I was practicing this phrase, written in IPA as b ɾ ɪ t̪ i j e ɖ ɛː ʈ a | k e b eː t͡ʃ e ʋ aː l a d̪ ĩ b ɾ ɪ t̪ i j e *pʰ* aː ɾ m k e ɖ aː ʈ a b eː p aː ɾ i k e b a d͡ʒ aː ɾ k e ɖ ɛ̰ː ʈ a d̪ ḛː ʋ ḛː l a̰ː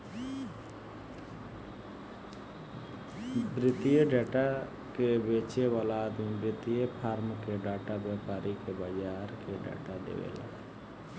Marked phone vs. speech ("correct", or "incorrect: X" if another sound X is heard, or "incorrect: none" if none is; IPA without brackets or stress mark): correct